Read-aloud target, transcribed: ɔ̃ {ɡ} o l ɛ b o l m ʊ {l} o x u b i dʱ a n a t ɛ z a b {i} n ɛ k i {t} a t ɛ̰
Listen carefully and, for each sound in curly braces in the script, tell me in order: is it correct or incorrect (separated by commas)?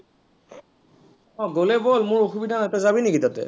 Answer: correct, incorrect, correct, correct